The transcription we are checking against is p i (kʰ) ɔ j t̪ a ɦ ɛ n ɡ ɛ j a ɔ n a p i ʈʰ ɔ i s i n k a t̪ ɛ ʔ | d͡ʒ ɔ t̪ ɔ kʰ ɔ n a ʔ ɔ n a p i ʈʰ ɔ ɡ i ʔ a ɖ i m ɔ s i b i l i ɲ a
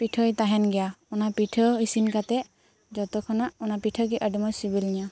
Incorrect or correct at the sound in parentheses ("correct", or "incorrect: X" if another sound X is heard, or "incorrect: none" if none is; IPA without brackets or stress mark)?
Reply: incorrect: ʈʰ